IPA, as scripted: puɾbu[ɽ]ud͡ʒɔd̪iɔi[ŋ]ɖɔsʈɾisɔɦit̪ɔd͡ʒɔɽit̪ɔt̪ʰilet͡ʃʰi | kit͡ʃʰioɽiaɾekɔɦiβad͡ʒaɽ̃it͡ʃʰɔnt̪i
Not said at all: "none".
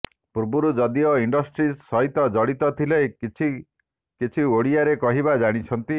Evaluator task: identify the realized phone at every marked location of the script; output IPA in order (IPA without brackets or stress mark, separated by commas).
ɾ, ɳ